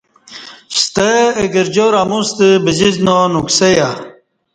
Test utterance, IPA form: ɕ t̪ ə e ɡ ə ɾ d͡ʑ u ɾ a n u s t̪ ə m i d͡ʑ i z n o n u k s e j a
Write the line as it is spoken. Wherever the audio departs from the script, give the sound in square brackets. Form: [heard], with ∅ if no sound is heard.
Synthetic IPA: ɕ t̪ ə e ɡ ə ɾ d͡ʑ [o] ɾ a [m] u s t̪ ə [b] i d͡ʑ i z n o n u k s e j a